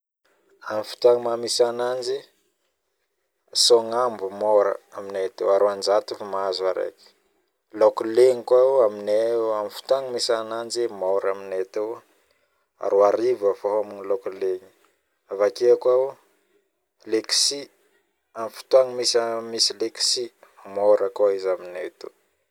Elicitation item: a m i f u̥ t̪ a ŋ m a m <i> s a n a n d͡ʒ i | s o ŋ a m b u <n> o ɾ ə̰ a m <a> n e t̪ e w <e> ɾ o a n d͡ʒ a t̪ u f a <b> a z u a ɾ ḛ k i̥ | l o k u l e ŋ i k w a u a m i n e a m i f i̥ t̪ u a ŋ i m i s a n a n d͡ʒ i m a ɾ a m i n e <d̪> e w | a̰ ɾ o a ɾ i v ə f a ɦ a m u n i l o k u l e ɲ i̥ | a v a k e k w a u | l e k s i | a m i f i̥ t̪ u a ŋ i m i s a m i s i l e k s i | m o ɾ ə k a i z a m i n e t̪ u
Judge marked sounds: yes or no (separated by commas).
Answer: yes, no, no, no, no, no